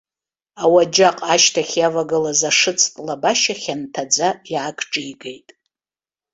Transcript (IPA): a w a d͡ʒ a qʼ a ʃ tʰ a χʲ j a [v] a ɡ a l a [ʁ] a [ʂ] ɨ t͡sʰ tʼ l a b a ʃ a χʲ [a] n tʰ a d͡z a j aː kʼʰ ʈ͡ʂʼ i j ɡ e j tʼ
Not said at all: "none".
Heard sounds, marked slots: v, z, ʂ, a

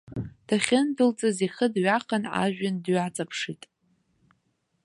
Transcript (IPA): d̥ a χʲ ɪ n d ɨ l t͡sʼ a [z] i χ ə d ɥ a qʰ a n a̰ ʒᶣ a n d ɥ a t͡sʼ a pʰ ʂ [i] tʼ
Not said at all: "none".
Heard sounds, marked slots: z, i

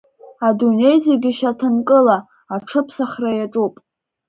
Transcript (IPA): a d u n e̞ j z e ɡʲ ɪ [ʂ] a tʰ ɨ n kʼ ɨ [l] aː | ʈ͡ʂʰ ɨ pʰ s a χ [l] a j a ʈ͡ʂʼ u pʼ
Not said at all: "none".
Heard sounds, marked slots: ʃ, l, r

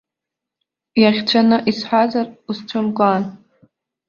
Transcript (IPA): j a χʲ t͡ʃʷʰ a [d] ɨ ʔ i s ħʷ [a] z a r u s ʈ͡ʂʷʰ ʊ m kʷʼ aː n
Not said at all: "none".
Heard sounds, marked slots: n, a

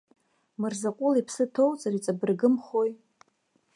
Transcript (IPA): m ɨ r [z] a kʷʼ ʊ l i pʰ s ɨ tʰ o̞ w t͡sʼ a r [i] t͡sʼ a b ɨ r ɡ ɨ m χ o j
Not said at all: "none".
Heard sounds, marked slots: z, i

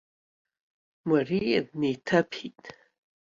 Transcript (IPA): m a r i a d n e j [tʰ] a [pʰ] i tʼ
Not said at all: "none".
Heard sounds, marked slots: tʰ, pʰ

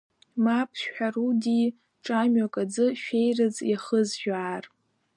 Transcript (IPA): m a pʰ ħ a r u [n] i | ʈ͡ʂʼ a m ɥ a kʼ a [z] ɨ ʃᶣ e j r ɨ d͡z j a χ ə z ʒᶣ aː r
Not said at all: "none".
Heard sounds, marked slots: d, d͡z

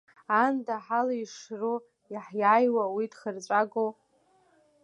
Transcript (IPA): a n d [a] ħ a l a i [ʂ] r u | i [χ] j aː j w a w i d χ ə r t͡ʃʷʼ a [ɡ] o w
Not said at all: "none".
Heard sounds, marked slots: a, ʂ, ħ, ɡ

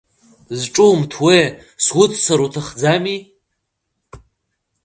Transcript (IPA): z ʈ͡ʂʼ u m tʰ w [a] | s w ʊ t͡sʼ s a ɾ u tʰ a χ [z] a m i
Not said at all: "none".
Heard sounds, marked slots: e, d͡z

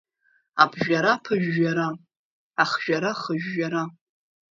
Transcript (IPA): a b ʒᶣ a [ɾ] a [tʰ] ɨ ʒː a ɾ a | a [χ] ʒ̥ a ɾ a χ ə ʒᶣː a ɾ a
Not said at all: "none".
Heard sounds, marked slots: ɾ, pʰ, χ

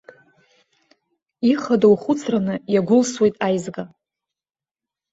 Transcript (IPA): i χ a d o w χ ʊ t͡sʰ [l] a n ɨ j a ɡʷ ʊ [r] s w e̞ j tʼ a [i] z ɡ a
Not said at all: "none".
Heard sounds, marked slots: r, l, j

